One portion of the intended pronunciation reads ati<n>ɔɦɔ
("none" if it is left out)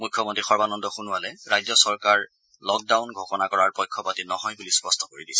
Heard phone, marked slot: n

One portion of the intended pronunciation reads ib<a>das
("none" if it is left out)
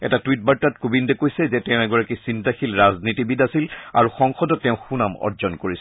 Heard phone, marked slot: i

